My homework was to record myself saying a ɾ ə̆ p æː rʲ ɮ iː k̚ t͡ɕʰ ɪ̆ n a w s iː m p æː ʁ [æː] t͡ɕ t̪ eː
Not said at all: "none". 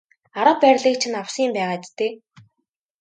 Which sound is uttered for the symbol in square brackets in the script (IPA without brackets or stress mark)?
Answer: aː